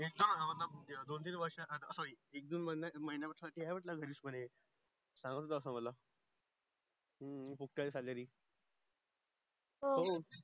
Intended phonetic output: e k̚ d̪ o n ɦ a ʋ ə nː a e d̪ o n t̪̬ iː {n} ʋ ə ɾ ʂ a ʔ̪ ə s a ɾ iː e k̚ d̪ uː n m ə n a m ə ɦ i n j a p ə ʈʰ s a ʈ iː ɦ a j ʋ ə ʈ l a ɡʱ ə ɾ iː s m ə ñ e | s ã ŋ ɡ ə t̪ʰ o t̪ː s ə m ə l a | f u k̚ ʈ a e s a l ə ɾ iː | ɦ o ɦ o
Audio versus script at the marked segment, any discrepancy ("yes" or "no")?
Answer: no